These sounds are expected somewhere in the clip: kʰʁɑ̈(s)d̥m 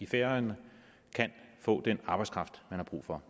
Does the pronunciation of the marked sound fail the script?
yes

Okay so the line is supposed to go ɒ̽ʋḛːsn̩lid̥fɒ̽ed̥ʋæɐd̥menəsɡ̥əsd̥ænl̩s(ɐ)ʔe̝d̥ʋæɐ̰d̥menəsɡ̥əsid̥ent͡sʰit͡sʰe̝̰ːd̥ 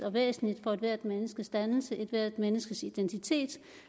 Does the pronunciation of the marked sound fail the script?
yes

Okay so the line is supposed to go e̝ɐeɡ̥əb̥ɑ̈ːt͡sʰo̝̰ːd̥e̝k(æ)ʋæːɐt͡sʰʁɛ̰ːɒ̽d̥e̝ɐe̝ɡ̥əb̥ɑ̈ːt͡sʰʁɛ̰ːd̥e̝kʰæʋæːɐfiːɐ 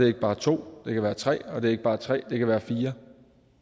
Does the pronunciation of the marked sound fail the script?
no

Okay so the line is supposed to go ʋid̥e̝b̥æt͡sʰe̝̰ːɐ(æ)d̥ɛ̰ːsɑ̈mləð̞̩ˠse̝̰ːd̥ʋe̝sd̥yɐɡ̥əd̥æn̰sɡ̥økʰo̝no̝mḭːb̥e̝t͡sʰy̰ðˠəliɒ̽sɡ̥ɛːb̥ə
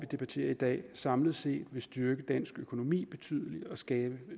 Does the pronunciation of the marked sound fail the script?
yes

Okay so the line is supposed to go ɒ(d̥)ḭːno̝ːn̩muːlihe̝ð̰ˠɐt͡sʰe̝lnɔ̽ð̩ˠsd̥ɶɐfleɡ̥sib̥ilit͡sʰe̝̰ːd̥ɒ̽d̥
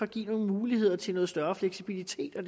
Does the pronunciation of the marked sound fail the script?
yes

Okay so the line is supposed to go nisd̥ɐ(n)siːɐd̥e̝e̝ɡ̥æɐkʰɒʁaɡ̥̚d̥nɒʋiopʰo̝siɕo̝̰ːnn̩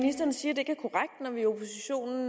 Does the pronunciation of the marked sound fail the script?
no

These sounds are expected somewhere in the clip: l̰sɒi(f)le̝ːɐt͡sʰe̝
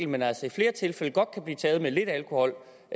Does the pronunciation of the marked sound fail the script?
no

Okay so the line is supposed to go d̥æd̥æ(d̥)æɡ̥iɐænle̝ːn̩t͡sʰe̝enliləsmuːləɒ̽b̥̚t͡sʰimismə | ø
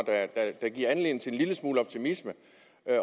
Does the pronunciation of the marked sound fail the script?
no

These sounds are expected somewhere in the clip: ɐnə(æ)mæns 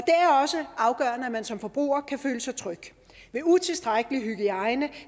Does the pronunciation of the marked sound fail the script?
no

